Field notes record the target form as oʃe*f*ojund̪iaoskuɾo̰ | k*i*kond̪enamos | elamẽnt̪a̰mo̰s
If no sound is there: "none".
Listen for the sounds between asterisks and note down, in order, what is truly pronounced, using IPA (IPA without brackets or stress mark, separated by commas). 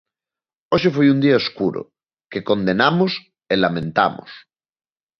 f, e